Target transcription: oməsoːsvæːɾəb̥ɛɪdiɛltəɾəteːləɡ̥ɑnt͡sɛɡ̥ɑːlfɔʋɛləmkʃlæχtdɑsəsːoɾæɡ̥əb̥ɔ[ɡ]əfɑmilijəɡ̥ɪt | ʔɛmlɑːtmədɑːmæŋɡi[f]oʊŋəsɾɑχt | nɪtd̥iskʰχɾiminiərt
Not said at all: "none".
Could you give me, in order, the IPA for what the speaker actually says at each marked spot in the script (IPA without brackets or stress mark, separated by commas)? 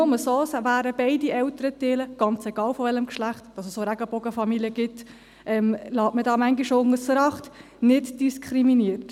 ɡ, ʃ